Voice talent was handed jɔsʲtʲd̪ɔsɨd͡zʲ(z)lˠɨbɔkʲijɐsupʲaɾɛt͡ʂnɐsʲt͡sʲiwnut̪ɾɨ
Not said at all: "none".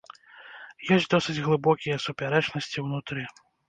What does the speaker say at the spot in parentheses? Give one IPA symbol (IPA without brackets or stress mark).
ɣ